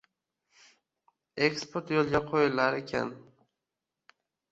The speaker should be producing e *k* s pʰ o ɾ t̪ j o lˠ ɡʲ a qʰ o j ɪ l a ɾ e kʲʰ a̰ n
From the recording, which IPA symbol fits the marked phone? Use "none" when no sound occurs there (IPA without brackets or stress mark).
k